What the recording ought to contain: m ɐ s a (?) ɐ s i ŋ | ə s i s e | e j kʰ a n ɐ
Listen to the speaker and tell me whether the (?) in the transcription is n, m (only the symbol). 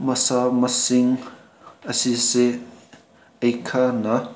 m